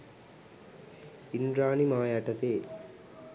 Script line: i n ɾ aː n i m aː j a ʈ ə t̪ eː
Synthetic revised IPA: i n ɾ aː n i m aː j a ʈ ɐ t̪ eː